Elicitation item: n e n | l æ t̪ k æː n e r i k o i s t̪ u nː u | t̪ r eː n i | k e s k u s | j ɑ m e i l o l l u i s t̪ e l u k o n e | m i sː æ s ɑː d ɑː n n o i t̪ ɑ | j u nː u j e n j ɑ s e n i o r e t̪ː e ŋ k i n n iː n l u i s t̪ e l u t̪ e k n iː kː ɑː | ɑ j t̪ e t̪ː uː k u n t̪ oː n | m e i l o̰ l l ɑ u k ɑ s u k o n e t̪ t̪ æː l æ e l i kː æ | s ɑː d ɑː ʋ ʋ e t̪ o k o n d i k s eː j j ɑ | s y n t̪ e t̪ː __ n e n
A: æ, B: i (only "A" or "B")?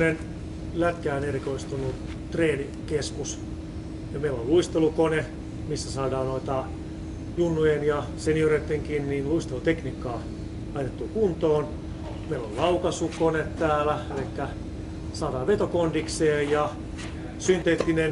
B